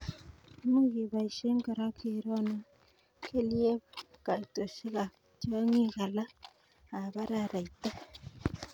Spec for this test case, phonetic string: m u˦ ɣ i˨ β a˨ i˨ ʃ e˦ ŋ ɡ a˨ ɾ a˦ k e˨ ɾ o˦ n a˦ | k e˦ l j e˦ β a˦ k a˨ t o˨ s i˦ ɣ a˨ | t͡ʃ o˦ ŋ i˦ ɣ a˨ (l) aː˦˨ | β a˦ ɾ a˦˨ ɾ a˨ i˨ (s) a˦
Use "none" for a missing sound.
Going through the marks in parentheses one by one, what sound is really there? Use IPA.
l, t

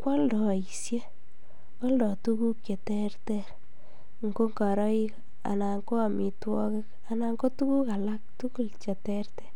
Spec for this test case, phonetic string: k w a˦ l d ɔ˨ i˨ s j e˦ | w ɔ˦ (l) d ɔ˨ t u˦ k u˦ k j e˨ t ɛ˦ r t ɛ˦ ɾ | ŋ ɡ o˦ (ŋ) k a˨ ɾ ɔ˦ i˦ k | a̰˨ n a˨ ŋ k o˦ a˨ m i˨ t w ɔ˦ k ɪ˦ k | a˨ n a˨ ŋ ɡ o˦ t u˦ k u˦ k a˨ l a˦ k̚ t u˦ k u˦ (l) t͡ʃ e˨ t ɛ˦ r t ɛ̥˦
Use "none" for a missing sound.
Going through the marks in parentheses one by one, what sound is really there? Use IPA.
l, ŋ, l

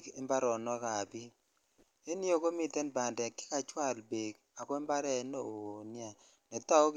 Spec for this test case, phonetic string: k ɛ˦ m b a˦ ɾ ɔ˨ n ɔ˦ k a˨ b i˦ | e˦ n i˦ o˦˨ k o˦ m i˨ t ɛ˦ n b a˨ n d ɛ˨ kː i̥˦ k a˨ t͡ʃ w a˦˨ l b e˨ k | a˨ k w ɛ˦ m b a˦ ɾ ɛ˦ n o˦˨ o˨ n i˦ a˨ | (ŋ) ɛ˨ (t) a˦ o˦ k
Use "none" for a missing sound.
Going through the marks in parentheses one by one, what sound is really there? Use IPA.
n, t

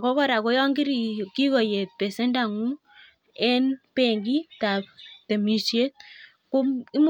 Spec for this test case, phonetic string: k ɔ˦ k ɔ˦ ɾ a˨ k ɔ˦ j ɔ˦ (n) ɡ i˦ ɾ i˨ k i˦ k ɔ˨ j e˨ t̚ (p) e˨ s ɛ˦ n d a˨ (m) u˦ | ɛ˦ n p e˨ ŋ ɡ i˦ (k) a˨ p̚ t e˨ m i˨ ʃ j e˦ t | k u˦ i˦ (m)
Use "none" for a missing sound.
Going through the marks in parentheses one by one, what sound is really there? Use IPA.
ŋ, p, ŋ, t, m

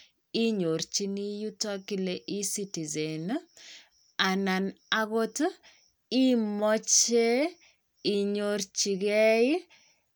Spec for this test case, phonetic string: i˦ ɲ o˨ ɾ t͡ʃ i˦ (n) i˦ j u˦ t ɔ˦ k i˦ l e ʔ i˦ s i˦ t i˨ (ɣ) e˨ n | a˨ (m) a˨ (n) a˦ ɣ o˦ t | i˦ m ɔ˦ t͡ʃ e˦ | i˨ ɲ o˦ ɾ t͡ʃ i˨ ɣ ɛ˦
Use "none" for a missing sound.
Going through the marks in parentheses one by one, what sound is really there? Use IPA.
n, z, n, n

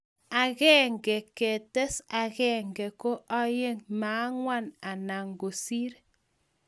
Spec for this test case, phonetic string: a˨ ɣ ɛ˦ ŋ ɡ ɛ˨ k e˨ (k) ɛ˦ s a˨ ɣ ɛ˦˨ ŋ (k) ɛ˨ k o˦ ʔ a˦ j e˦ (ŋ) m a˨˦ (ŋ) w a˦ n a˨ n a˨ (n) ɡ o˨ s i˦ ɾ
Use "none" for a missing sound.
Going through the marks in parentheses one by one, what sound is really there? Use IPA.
t, ɡ, ŋ, ŋ, ŋ

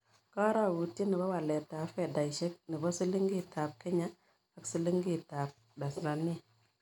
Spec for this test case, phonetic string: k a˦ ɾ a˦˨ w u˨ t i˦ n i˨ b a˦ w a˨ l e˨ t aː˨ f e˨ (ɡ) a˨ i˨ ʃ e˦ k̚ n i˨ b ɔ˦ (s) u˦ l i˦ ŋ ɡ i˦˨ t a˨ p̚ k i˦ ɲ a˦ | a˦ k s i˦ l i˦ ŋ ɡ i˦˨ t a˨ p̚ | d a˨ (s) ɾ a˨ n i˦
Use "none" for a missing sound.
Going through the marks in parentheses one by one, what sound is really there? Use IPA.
d, s, s

